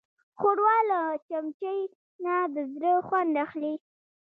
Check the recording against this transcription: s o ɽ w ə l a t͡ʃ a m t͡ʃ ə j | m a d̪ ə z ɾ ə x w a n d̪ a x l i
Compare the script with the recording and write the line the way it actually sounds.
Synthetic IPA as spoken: x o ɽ w ɑ l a t͡ʃ a m t͡ʃ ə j | n a d̪ ə z ɾ ə x w a n d̪ a x l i